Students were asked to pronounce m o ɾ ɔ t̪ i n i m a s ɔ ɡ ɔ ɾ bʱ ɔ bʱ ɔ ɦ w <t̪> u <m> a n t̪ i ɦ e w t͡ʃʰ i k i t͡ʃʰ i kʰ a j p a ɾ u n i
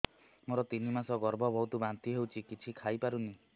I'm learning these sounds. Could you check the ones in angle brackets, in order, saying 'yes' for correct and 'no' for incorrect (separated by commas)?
yes, no